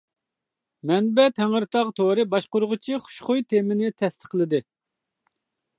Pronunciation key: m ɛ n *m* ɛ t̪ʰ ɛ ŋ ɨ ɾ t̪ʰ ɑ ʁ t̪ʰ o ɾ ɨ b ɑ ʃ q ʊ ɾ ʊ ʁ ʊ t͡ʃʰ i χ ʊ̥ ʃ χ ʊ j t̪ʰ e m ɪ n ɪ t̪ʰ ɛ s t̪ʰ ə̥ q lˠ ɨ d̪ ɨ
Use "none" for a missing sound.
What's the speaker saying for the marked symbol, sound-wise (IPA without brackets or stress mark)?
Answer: b